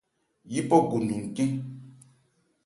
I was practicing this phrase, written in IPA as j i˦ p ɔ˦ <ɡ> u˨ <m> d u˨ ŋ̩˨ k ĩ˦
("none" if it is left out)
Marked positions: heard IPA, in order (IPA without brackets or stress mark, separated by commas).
ɡ, n